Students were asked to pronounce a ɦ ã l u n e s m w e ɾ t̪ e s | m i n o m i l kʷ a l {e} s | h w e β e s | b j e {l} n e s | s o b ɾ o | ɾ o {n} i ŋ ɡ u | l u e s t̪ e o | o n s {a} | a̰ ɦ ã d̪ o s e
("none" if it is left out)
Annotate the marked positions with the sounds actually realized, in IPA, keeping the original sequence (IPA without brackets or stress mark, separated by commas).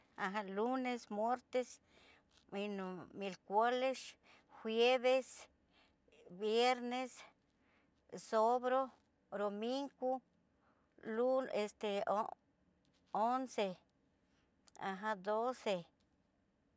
e, ɾ, m, e